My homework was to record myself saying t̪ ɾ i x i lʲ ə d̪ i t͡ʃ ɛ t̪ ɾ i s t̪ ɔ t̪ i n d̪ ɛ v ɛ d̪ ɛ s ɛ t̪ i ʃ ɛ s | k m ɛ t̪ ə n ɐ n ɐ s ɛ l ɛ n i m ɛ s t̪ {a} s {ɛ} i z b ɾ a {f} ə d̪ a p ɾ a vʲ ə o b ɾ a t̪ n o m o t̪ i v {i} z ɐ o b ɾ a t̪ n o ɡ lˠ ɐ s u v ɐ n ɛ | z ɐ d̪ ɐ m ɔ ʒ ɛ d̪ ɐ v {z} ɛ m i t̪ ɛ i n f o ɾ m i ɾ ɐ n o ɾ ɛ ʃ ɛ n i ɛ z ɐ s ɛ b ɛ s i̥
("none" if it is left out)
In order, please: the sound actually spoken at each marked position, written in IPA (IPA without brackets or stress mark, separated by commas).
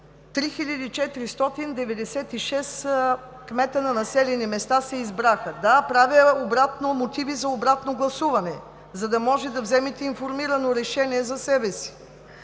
a, ɛ, x, i, z